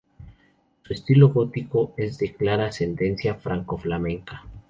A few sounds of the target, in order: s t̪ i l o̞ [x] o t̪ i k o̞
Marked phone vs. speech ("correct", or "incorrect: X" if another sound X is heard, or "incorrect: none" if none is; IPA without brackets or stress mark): incorrect: ɣ